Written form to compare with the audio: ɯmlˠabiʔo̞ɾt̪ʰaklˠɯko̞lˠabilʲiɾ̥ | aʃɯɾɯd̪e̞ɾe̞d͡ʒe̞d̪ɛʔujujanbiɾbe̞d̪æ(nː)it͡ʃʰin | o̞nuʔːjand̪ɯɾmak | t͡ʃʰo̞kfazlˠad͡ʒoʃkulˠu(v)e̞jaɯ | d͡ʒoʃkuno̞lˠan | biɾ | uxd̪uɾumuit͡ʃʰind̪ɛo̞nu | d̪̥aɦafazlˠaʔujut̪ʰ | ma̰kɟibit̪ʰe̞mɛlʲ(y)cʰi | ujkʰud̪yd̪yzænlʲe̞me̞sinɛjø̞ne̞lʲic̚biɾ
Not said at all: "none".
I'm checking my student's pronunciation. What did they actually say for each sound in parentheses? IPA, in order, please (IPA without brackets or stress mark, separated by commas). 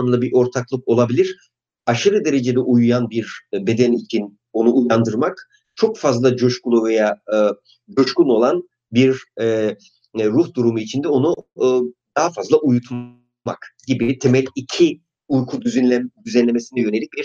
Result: n, v, i